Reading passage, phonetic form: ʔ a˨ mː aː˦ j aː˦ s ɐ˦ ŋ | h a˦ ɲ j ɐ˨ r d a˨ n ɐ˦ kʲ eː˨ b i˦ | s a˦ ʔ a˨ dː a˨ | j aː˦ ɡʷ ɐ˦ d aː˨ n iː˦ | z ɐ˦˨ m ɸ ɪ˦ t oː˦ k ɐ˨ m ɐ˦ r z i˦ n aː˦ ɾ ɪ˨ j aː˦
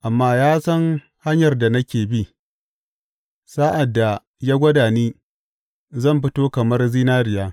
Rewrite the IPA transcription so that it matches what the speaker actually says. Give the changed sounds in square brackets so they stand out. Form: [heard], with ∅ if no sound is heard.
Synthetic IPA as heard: ʔ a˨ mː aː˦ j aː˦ s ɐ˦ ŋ | h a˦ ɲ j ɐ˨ r d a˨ n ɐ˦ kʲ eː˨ b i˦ | s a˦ ʔ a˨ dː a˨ | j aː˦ ɡʷ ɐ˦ d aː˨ n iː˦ | z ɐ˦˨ m ɸ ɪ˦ t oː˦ k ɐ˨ m ɐ˦ r z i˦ n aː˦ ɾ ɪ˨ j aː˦